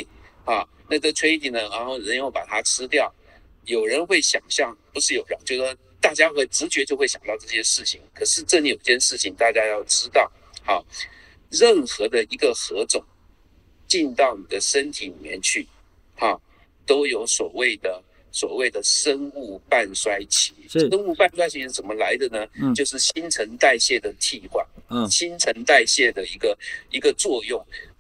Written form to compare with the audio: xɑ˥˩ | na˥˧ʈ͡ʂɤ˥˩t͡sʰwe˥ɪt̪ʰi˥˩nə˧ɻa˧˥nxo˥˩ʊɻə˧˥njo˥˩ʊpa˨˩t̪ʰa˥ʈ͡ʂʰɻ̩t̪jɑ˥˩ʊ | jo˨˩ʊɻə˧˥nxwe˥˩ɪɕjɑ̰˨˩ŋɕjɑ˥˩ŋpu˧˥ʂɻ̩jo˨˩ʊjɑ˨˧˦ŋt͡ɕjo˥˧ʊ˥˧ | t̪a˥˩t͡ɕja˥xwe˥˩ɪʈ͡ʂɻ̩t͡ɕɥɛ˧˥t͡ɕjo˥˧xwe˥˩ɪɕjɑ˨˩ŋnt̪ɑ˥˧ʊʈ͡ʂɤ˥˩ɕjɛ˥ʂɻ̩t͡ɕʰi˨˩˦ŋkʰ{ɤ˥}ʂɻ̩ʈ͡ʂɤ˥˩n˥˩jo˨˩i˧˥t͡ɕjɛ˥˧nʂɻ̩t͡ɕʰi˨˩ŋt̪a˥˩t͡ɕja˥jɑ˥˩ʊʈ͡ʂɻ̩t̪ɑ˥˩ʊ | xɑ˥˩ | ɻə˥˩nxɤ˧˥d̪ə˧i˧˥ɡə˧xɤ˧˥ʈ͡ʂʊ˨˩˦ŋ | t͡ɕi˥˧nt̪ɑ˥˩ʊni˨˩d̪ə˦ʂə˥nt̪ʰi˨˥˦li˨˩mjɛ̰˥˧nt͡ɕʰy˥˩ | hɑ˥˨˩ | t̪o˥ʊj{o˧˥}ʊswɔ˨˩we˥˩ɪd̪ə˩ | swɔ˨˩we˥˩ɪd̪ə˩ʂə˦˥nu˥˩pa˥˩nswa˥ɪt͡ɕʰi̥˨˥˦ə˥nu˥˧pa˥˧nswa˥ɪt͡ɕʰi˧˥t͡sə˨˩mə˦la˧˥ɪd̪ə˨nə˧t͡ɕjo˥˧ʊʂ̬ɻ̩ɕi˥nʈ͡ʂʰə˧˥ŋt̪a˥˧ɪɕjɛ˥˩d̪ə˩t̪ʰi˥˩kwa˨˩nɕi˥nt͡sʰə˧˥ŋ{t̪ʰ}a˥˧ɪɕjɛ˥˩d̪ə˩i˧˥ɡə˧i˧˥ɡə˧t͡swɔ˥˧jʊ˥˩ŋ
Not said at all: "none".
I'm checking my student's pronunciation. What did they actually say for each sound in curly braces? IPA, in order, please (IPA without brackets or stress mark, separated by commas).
ɤ˨˩, o˧˥, t̪